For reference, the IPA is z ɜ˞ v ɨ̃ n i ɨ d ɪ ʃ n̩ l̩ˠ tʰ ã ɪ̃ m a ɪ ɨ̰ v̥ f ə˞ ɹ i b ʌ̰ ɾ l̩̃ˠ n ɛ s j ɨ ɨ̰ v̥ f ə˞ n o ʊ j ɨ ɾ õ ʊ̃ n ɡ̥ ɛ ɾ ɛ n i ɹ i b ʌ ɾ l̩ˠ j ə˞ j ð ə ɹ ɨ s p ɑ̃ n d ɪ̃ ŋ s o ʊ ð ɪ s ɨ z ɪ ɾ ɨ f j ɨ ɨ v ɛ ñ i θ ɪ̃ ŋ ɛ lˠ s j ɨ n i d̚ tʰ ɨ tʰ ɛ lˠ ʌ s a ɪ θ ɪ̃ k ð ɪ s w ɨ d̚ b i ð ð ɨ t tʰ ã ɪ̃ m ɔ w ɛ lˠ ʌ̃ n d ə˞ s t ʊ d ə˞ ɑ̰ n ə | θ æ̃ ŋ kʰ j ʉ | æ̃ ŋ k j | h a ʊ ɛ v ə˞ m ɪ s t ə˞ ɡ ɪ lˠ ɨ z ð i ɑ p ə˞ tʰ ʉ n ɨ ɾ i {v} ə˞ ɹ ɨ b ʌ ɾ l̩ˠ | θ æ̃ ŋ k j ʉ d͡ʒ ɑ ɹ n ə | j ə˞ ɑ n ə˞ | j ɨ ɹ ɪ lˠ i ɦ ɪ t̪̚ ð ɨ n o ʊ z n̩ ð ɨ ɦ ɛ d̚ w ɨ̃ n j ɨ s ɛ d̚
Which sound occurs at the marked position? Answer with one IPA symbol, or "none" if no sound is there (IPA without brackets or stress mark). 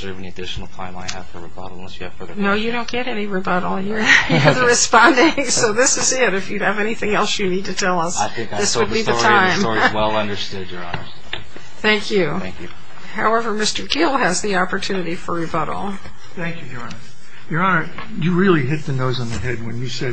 f